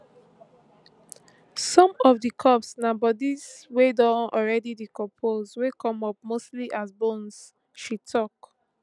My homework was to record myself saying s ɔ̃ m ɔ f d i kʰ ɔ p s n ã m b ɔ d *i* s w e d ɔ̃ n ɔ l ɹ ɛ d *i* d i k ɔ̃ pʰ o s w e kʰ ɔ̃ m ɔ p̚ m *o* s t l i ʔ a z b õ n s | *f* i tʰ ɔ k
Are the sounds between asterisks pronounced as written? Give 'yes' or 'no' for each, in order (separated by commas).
yes, yes, yes, no